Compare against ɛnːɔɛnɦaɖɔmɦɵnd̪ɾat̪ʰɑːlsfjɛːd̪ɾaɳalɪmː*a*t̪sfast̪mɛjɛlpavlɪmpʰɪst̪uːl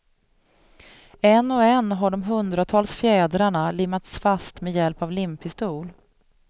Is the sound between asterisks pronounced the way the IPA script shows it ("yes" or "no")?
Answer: yes